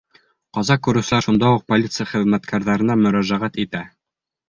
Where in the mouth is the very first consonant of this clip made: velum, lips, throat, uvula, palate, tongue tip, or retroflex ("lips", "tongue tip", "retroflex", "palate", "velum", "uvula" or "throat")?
uvula